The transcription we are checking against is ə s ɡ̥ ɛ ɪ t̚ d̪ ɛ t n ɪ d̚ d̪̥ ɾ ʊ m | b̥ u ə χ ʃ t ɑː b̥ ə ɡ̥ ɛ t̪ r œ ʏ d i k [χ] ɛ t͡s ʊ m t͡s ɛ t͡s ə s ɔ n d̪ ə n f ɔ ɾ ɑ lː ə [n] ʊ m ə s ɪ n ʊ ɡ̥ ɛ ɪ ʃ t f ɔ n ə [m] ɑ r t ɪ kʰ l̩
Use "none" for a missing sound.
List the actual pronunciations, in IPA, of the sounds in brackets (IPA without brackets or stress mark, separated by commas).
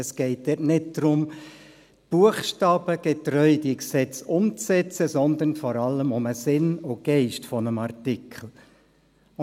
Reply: s, m, m